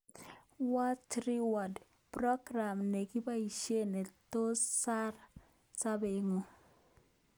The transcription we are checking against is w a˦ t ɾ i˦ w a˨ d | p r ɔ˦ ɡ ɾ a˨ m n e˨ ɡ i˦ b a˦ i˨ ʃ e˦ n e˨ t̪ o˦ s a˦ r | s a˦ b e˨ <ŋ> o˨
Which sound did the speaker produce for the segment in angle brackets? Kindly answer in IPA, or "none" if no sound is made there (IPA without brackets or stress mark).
ŋ